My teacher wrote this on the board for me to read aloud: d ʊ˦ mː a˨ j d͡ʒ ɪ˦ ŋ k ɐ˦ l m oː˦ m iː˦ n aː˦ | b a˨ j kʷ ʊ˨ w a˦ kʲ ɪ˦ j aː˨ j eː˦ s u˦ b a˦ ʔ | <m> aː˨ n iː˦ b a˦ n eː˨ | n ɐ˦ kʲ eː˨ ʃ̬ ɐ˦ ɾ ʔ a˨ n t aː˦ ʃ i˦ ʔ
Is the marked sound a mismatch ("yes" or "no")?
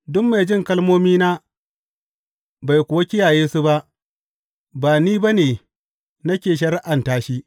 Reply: yes